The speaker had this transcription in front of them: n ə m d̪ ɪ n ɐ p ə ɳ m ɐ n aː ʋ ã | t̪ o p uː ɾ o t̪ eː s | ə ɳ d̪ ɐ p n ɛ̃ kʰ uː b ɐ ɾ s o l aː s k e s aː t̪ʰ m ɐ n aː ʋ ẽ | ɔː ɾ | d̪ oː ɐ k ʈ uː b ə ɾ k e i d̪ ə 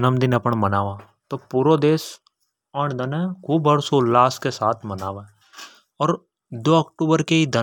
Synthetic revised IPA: n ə m d̪ ɪ n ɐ p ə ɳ m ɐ n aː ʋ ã | t̪ o p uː ɾ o d̪ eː s | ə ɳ d̪ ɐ n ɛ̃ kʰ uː b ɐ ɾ s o l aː s k e s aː t̪ʰ m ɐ n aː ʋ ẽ | ɔː ɾ | d̪ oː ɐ k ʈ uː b ə ɾ k e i d̪ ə